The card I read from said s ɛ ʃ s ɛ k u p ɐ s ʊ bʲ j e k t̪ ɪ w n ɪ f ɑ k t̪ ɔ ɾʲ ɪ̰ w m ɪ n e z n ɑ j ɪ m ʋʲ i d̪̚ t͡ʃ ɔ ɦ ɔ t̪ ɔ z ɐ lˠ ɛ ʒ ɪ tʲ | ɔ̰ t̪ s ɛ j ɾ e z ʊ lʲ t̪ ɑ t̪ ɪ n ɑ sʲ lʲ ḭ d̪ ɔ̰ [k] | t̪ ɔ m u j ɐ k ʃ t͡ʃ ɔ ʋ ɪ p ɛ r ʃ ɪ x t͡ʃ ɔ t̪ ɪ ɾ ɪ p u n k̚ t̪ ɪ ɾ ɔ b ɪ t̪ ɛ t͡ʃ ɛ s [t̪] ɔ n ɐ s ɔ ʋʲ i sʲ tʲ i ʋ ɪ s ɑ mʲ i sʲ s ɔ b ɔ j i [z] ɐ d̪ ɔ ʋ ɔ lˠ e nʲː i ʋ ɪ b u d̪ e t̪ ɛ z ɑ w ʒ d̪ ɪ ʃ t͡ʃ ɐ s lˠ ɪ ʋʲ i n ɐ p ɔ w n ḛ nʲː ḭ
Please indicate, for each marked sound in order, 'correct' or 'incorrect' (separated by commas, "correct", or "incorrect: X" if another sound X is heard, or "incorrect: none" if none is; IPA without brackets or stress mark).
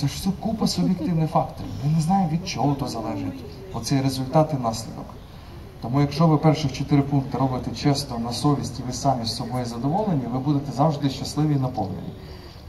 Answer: correct, correct, correct